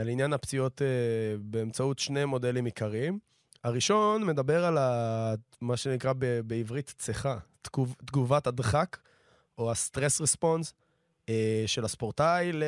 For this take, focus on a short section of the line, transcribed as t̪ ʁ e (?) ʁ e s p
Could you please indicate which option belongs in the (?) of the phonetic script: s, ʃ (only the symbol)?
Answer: s